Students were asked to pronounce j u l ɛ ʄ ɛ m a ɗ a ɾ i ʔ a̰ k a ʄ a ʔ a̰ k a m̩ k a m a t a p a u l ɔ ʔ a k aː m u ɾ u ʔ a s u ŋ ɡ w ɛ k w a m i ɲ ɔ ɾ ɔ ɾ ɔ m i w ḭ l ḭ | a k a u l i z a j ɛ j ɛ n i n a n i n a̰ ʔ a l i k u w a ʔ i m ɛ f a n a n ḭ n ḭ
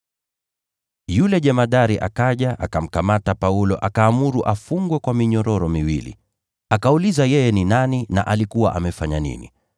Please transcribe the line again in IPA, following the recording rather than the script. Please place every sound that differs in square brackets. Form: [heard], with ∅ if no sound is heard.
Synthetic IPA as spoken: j u l ɛ ʄ ɛ m a ɗ a ɾ i ʔ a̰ k a ʄ a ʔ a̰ k a m̩ k a m a t a p a u l ɔ ʔ a k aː m u ɾ u ʔ a [f] u ŋ ɡ w ɛ k w a m i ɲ ɔ ɾ ɔ ɾ ɔ m i w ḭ l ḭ | a k a u l i z a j ɛ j ɛ n i n a n i n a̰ ʔ a l i k u w a ʔ [a] m ɛ f a [ɲ] a n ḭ n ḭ